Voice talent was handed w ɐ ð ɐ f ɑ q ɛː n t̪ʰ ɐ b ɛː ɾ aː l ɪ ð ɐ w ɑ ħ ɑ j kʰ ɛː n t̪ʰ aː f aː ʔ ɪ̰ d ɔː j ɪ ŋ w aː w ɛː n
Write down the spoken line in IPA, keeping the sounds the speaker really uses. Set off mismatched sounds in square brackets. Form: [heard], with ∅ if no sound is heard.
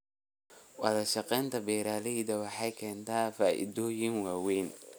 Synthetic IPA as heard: w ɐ ð ɐ [ʃ] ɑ q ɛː n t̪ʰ ɐ b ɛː ɾ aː l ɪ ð ɐ w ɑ ħ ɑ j kʰ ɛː n t̪ʰ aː f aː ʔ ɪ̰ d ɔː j ɪ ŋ w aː w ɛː n